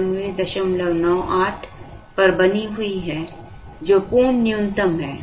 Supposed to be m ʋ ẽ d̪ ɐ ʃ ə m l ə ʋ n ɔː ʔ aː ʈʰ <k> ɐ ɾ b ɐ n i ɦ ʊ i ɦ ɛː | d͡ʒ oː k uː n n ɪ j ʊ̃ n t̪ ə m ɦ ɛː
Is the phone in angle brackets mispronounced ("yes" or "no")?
yes